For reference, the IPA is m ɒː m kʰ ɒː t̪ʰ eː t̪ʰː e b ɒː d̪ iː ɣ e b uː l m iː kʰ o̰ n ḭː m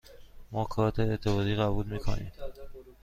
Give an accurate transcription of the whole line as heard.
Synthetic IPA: m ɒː kʰ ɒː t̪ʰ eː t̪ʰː e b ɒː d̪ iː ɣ æ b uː l m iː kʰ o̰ n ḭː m